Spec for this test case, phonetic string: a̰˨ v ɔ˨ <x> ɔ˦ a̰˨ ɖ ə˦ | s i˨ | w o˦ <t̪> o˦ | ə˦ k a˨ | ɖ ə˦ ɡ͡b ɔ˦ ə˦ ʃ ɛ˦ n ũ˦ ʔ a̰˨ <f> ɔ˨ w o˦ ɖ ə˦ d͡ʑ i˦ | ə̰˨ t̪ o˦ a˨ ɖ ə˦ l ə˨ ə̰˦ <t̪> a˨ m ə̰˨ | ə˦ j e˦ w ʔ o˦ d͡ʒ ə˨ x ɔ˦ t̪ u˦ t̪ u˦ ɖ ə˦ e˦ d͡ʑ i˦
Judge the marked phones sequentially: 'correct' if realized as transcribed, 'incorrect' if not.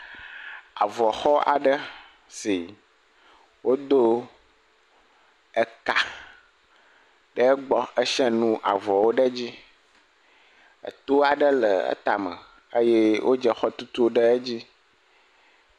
correct, incorrect, incorrect, correct

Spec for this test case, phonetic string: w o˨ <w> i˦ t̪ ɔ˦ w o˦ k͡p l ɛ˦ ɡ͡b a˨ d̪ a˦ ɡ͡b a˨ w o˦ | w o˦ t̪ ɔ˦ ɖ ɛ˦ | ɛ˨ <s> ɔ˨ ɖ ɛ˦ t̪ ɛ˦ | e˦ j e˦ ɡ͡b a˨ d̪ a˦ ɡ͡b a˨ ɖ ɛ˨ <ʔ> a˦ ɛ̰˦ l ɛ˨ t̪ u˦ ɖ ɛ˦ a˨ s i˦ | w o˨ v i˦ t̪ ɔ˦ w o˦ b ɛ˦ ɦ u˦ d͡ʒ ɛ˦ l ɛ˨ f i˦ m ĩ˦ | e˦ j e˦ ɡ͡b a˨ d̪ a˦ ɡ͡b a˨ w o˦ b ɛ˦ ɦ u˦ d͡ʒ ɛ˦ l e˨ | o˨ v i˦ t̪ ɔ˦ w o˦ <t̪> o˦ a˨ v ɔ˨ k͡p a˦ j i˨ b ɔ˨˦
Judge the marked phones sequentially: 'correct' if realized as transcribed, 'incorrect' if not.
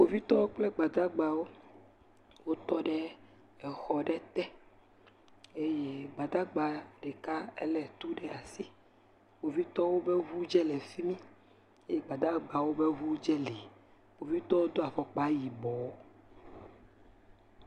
incorrect, incorrect, incorrect, incorrect

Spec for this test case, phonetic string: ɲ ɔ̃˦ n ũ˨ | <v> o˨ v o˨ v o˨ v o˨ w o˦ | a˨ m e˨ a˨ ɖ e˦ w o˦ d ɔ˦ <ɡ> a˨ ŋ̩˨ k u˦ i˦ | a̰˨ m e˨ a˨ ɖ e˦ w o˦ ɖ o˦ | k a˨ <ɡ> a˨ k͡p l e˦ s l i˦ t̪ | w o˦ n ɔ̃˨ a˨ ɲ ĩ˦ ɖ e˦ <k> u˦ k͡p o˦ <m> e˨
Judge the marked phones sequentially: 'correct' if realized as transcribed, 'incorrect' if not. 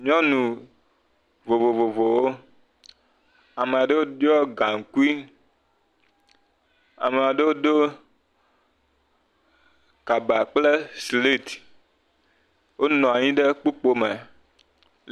correct, correct, incorrect, incorrect, correct

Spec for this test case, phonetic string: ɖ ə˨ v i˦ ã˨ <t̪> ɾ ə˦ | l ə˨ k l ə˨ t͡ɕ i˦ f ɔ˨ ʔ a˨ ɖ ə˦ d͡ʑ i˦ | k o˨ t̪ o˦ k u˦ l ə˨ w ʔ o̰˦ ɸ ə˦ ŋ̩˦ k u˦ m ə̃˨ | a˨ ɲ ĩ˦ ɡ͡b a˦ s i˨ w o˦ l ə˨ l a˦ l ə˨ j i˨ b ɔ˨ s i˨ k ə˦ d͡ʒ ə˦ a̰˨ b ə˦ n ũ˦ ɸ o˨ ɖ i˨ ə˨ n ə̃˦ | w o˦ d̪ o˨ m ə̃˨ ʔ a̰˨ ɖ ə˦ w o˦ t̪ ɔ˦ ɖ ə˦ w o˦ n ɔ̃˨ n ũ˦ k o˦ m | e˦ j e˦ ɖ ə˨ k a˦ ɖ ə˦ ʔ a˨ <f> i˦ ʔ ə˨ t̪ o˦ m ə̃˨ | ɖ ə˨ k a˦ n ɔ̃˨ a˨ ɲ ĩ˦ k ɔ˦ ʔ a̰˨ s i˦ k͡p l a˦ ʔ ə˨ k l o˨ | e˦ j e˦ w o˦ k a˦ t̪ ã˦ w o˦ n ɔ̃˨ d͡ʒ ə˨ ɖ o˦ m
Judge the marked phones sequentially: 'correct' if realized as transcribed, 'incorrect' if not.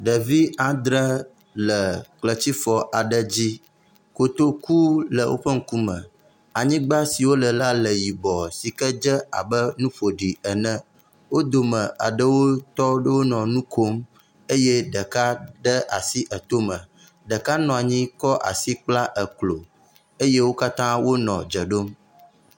incorrect, incorrect

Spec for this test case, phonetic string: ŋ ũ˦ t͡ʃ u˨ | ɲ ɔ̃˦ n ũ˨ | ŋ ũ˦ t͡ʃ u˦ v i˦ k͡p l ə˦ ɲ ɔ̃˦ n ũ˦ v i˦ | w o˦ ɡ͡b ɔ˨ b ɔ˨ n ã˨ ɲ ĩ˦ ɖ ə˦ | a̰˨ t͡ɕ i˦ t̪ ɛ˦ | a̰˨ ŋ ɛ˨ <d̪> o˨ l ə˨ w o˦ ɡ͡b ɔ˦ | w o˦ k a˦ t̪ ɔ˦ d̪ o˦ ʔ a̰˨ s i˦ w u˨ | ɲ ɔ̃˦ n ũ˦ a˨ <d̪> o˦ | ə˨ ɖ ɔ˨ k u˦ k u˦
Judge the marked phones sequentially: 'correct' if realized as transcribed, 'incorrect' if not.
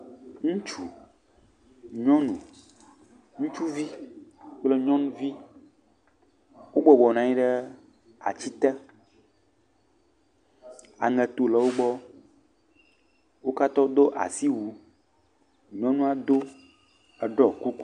incorrect, correct

